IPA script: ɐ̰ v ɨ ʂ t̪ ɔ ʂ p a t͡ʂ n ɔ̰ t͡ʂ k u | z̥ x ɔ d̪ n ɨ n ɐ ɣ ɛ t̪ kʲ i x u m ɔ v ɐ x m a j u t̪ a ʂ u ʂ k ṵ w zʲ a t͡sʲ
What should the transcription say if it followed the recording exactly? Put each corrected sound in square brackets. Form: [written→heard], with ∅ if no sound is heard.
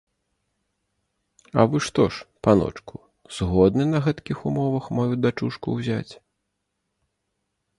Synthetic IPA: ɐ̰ v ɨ ʂ t̪ ɔ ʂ p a [t͡ʂ→∅] n ɔ̰ t͡ʂ k u | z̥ [x→ɣ] ɔ d̪ n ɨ n ɐ ɣ ɛ t̪ kʲ i x u m ɔ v ɐ x m a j u [t̪→d̪] a [ʂ→t͡ʂ] u ʂ k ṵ w zʲ a t͡sʲ